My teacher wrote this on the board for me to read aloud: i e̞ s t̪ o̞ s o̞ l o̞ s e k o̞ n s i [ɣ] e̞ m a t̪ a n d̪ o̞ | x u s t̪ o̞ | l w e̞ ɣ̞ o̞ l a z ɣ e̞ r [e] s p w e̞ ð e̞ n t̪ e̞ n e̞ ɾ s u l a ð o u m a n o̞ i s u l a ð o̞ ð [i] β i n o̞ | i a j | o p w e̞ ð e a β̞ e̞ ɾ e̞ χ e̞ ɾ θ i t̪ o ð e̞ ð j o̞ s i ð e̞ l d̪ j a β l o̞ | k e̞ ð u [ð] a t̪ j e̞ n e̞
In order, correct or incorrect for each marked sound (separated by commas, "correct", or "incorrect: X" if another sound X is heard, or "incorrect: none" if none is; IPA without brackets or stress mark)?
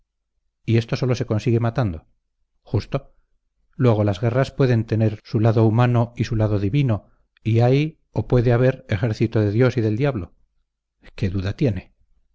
correct, incorrect: a, correct, correct